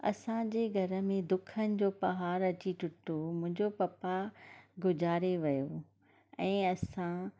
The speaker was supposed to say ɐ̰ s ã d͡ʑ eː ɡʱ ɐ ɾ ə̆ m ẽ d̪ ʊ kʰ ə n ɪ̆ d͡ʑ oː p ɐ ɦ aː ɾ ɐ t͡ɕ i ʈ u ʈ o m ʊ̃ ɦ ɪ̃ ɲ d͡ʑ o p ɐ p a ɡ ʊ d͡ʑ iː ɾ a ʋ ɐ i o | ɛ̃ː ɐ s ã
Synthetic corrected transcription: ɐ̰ s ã d͡ʑ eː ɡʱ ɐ ɾ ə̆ m ẽ d̪ ʊ kʰ ə n ɪ̆ d͡ʑ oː p ɐ ɦ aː ɾ ɐ t͡ɕ i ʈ ʊ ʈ o m ʊ̃ ɦ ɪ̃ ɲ d͡ʑ o p ɐ p a ɡ ʊ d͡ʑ aː ɾ e ʋ ɐ j o | ɛ̃ː ɐ s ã